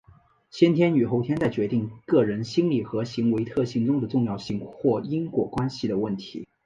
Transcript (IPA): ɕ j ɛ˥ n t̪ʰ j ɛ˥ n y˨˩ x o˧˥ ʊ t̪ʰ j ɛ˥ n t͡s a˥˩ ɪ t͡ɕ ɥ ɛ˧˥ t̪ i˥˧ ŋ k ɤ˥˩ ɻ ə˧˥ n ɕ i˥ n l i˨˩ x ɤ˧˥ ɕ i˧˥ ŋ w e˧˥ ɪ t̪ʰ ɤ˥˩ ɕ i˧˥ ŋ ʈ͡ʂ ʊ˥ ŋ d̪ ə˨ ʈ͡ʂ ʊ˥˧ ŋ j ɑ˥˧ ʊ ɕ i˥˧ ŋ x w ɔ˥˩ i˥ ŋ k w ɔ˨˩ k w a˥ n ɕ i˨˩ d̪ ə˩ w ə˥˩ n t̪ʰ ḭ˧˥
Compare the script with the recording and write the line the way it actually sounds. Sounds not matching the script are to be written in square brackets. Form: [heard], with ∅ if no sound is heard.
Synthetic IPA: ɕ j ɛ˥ n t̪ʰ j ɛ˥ n y˨˩ x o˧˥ ʊ t̪ʰ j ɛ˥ n t͡s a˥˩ ɪ t͡ɕ ɥ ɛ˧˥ t̪ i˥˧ ŋ k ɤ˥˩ ɻ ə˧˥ n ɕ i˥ n l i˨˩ x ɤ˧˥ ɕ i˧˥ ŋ w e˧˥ ɪ t̪ʰ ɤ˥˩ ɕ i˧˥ ŋ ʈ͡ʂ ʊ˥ ŋ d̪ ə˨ ʈ͡ʂ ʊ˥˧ ŋ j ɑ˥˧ ʊ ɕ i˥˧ ŋ x w ɔ˥˩ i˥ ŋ k w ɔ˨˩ k w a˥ n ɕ i˨˩ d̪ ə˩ w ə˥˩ n t̪ʰ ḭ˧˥